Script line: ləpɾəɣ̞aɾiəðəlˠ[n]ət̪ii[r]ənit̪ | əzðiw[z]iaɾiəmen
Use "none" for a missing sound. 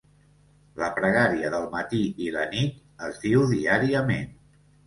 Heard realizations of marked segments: m, l, ð

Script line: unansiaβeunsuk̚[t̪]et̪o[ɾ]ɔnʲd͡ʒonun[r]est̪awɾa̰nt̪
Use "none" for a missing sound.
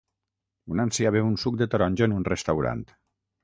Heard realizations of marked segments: d̪, ɾ, r

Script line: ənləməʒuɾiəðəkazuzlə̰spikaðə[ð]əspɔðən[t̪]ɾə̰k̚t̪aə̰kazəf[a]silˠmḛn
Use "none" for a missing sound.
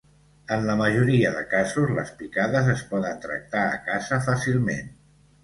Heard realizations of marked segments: z, t̪, a

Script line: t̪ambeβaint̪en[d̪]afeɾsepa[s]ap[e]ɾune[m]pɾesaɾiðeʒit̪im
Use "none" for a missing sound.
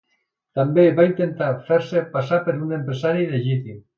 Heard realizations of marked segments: t̪, s, e, m

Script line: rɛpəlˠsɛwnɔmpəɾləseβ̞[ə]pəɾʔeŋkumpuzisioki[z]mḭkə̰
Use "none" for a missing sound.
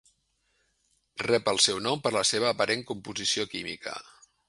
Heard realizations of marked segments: əː, none

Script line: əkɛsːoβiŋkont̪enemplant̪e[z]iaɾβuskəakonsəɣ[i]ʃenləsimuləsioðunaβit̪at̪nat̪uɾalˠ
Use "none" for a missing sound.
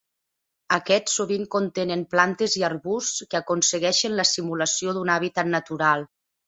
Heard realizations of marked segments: z, ɛ

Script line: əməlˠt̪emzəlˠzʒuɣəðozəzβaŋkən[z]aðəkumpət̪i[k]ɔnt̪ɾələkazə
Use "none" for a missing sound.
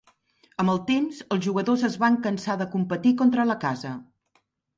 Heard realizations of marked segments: s, k

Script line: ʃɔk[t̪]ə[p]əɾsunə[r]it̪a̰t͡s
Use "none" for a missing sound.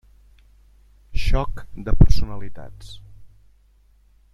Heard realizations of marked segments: d̪, p, l

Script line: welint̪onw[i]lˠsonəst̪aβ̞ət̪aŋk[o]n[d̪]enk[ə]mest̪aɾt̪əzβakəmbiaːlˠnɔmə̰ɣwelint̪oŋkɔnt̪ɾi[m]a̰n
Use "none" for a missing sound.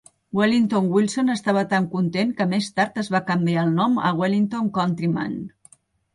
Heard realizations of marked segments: i, u, t̪, ə, m

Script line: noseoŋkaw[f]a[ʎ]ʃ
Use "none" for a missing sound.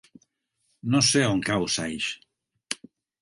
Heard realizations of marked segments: s, j

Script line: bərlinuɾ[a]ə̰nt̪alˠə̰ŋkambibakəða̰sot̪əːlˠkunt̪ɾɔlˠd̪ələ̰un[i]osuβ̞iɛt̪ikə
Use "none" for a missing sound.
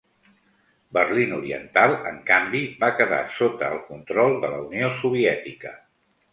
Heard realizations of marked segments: i, i

